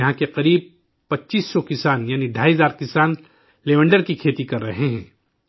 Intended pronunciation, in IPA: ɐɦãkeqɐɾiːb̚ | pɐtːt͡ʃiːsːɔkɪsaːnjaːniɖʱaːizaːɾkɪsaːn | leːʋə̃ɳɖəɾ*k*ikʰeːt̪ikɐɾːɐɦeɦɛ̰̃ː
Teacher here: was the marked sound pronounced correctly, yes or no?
yes